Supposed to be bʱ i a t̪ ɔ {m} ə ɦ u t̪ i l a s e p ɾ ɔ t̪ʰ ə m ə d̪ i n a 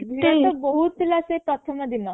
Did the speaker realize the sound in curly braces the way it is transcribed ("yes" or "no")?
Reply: no